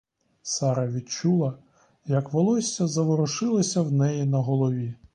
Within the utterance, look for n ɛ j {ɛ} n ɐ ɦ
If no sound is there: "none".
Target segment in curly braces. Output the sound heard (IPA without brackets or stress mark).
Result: i